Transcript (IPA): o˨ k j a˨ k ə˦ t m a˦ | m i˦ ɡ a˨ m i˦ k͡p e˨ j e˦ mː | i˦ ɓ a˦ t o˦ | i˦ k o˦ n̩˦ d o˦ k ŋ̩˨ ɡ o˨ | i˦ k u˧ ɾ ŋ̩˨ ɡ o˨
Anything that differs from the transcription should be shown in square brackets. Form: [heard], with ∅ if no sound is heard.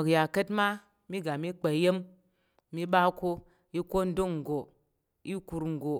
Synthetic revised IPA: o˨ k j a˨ k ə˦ t m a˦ | m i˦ ɡ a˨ m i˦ k͡p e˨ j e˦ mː | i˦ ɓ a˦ [k] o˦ | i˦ k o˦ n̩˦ d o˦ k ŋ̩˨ ɡ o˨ | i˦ k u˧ ɾ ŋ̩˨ ɡ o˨